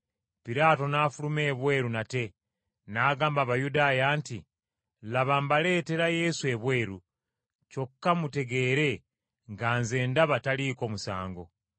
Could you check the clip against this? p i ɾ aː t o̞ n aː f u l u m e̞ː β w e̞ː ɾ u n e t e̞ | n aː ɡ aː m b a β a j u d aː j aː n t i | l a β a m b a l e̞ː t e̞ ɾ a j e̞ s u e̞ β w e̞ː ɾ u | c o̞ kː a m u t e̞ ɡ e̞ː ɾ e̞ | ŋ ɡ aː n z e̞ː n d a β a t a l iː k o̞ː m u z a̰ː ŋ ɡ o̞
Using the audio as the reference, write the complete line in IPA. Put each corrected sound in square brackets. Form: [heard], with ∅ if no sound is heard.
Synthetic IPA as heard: p i ɾ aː t o̞ n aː f u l u m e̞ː β w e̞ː ɾ u n [a] t e̞ | n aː ɡ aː m b a β a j u d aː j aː n t i | l a β a m b a l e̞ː t e̞ ɾ a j e̞ s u e̞ β w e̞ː ɾ u | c o̞ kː a m u t e̞ ɡ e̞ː ɾ e̞ | ŋ ɡ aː n z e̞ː n d a β a t a l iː k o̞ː m u [s] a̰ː ŋ ɡ o̞

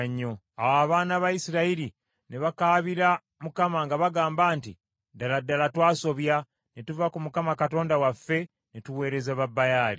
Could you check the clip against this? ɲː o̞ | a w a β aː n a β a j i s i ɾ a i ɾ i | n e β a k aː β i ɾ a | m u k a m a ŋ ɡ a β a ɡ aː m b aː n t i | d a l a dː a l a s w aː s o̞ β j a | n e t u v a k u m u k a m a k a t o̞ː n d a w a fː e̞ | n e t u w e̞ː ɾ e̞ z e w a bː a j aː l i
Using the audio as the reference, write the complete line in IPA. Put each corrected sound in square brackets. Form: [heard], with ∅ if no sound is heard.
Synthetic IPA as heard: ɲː o̞ | a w a β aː n a β a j i s i ɾ a i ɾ i | n e β a k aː β i ɾ a | m u k a m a ŋ ɡ a β a ɡ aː m b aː n t i | d a l a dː a l a [t] w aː s o̞ β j a | n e t u v a k u m u k a m a k a t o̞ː n d a w a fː e̞ | n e t u w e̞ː ɾ e̞ z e [β] a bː a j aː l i

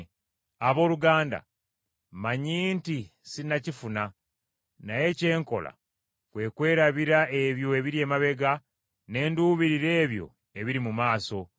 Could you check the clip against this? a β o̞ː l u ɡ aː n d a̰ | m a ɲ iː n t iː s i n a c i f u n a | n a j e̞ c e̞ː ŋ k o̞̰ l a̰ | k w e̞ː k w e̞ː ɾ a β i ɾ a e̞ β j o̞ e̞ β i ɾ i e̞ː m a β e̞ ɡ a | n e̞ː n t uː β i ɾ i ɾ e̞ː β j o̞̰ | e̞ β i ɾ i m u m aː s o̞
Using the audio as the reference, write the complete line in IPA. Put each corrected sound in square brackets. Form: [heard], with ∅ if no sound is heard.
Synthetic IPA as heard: a β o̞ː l u ɡ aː n d a̰ | m a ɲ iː n t [i] s i n a c i f u n a | n a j e̞ c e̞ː ŋ k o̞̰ l a̰ | k w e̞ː k w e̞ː ɾ a β i ɾ a e̞ β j o̞ e̞ β i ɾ i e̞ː m a β e̞ ɡ a | n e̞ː n [d] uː β i ɾ i ɾ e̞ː β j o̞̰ | e̞ β i ɾ i m u m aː s o̞

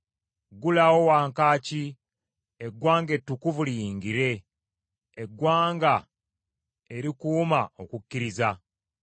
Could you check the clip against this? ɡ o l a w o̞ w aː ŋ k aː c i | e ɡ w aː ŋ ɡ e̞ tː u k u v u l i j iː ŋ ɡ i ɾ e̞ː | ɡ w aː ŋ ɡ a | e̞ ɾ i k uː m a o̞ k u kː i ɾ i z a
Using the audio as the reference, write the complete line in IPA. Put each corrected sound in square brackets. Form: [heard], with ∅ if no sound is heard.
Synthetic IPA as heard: ɡ [u] l a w o̞ w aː ŋ k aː c i | e ɡ w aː ŋ ɡ e̞ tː u k u v u l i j iː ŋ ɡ i ɾ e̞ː | ɡ w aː ŋ ɡ a | e̞ ɾ i k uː m a o̞ k u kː i ɾ i z a

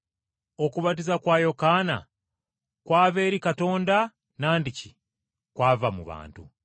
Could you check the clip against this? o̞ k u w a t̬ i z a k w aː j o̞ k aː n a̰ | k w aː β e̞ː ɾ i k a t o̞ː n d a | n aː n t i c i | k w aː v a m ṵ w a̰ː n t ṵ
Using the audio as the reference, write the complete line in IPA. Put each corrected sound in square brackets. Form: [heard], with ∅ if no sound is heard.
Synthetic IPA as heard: o̞ k u [β] a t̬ i z a k w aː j o̞ k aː n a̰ | k w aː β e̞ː ɾ i k a t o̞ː n d a | n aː n [d] i c i | k w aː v a m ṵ [β] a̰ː n t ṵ

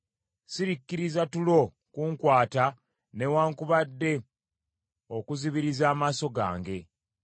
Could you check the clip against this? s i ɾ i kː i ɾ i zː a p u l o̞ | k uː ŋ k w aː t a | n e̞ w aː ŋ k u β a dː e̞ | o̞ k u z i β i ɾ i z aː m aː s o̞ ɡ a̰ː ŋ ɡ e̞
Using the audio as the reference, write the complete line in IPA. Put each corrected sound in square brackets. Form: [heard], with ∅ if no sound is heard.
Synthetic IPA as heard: s i ɾ i kː i ɾ i [z] a [t] u l o̞ | k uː ŋ k w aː t a | n e̞ w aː ŋ k u β a dː e̞ | o̞ k u z i β i ɾ i z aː m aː s o̞ ɡ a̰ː ŋ ɡ e̞

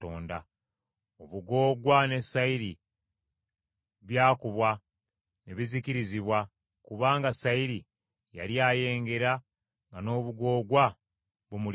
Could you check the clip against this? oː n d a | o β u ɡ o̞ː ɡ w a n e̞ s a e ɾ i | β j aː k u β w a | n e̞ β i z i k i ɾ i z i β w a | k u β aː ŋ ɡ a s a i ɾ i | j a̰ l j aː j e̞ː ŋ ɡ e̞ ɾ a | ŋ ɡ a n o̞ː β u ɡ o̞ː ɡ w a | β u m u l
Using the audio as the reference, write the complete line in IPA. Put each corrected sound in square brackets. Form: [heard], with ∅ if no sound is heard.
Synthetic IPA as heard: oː n d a | o β u ɡ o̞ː ɡ w a n e̞ s a [i] ɾ i | β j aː k u β w a | n e̞ β i z i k i ɾ i z i β w a | k u β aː ŋ ɡ a s a i ɾ i | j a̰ l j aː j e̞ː ŋ ɡ e̞ ɾ a | ŋ ɡ a n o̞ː β u ɡ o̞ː ɡ w a | β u m u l

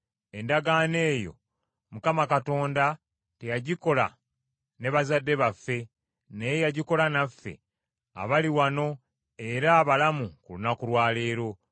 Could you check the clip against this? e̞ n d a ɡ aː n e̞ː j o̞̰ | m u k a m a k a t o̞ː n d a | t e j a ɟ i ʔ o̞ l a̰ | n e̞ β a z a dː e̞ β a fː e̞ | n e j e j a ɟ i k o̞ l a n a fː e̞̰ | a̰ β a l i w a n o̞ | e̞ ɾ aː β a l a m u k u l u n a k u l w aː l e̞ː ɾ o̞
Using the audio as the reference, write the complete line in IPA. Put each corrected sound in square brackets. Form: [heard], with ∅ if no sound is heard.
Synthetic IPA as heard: e̞ n d a ɡ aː n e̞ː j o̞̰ | m u k a m a k a t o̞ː n d a | t e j a ɟ i [k] o̞ l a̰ | n e̞ β a z a dː e̞ β a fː e̞ | n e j e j a ɟ i k o̞ l a n a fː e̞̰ | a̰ β a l i w a n o̞ | e̞ ɾ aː β a l a m u k u l u n a k u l w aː l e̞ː ɾ o̞

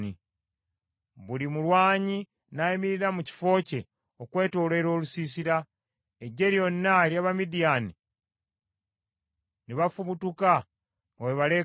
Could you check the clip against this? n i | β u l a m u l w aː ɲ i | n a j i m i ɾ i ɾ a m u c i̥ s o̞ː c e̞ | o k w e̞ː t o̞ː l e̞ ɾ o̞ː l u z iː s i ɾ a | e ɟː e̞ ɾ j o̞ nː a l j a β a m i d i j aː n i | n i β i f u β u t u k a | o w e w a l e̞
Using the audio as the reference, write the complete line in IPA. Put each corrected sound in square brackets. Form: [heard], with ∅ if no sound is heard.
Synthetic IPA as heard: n i | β u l [i] m u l w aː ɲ i | n a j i m i ɾ i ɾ a m u c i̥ [f] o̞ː c e̞ | o k w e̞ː t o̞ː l e̞ ɾ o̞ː l u [s] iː s i ɾ a | e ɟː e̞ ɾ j o̞ nː a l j a β a m i d i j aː n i | n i β [a] f u β u t u k a | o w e [β] a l e̞

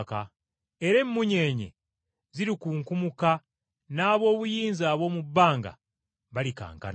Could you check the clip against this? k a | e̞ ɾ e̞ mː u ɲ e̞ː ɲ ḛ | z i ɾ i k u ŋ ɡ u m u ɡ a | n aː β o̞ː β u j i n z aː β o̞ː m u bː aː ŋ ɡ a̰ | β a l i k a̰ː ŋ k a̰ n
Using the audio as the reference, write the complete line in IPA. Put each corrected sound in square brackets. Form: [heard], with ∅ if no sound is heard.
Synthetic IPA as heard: k a | e̞ ɾ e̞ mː u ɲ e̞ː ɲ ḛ | z i ɾ i k u ŋ [k] u m u [k] a | n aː β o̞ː β u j [iː] n z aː β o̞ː m u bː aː ŋ ɡ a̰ | β a l i k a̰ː ŋ k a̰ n

